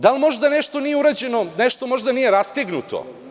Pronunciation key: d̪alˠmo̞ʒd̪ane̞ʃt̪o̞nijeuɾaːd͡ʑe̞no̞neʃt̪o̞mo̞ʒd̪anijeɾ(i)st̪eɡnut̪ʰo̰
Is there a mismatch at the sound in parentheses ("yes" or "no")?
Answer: yes